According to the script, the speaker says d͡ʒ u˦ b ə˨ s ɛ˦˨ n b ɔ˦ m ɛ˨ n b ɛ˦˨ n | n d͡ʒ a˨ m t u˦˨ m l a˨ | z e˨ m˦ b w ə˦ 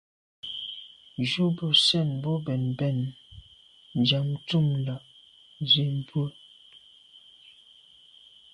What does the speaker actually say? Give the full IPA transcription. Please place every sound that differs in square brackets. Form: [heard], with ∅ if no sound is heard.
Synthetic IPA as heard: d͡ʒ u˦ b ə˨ s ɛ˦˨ n b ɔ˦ [b] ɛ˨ n b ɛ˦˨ n | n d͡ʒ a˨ m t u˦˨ m l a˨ | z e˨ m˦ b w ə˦